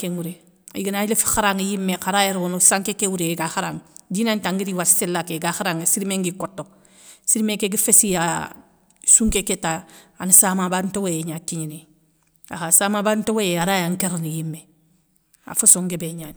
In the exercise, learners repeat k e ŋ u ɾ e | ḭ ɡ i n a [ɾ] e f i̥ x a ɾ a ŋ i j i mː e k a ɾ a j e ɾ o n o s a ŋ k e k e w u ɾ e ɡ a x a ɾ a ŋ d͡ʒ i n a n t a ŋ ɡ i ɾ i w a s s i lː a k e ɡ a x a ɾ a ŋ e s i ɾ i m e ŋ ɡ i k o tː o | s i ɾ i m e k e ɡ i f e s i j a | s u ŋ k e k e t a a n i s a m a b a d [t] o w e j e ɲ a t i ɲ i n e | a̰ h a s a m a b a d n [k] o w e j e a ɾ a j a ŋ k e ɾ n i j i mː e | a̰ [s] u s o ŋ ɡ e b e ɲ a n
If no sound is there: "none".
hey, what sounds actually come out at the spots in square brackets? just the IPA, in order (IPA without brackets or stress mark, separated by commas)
l, t, t, f